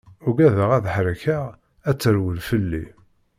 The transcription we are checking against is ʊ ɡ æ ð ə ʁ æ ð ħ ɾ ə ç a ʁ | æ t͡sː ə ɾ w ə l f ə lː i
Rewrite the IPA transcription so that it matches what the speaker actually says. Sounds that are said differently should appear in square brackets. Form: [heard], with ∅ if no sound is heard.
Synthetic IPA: ʊ ɡ æ ð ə ʁ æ ð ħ ɾ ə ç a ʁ | æ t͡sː ə ɾ w ə l f ə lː i